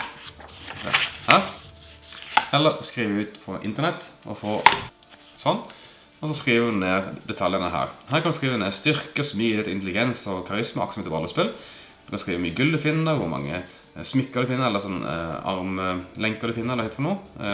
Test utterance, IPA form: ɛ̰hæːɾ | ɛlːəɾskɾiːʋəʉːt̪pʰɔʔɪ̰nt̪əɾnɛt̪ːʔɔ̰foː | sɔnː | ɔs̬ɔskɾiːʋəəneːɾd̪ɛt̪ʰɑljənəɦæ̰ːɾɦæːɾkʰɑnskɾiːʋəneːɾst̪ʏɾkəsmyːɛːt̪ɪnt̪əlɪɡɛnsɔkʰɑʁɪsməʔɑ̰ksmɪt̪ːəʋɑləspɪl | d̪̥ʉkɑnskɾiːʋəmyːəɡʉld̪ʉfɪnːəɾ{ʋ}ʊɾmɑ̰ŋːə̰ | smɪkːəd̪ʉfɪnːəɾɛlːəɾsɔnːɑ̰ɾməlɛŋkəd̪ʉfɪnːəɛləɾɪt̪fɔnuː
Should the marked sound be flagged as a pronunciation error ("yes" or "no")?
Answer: no